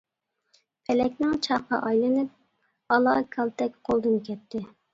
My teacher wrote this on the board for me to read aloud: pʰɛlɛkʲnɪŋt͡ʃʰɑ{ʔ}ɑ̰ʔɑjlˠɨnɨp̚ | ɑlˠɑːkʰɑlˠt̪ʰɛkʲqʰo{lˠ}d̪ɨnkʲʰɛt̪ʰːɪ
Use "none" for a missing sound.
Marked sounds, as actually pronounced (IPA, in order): q, lˠ

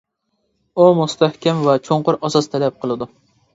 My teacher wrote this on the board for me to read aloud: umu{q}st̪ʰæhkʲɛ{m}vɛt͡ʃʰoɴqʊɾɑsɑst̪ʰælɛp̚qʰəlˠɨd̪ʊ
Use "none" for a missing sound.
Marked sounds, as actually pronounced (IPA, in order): none, m

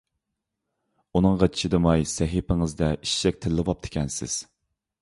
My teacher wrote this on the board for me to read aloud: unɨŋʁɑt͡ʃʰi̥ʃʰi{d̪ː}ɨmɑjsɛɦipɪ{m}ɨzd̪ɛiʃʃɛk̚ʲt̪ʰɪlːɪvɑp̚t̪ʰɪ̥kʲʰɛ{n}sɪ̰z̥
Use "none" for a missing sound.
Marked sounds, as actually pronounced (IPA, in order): d̪, ŋ, n

